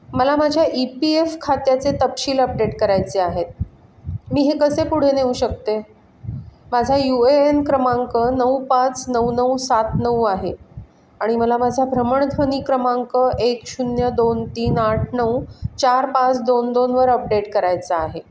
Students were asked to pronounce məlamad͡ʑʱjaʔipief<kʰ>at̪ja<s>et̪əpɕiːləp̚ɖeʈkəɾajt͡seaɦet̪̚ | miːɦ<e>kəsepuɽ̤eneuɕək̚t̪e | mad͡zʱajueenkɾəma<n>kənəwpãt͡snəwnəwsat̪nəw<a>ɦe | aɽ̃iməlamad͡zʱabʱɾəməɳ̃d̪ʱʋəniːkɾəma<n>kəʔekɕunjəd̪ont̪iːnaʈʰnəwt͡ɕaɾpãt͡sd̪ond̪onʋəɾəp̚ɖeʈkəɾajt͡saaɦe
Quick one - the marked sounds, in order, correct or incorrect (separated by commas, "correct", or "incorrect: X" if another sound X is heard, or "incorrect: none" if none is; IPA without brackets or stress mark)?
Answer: correct, incorrect: t͡s, correct, incorrect: ŋ, correct, incorrect: ŋ